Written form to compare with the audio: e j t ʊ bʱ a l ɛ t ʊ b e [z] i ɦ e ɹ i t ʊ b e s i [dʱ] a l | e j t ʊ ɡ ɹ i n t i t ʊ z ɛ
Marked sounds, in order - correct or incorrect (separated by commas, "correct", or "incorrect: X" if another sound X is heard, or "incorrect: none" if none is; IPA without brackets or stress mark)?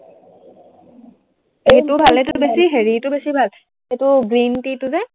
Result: incorrect: s, incorrect: bʱ